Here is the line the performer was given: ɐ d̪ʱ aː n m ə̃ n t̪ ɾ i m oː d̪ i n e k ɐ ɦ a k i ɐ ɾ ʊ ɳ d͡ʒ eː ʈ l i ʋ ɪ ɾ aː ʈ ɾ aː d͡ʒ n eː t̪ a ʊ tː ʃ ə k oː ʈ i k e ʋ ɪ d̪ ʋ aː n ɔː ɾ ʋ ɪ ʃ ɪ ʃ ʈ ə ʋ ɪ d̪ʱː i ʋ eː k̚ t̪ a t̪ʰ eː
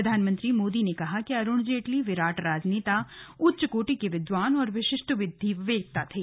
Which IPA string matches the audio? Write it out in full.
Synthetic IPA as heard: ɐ d̪ʱ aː n m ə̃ n t̪ ɾ i m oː d̪ i n e k ɐ ɦ a k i ɐ ɾ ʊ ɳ d͡ʒ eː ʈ l i ʋ ɪ ɾ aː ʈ ɾ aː d͡ʒ n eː t̪ a ʊ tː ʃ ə k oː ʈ i k e ʋ ɪ d̪ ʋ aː n ɔː ɾ ʋ ɪ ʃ ɪ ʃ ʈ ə ʋ ɪ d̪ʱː i ʋ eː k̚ t̪ a t̪ʰ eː